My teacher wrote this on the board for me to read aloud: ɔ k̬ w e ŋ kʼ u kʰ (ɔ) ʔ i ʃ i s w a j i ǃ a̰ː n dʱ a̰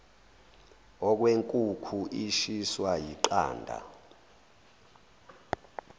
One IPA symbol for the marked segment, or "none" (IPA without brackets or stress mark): u